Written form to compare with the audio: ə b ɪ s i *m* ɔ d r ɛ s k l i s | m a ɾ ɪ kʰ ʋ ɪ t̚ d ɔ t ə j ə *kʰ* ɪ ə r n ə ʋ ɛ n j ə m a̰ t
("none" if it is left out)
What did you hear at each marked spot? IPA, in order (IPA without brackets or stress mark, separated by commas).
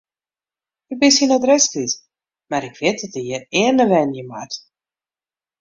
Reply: n, none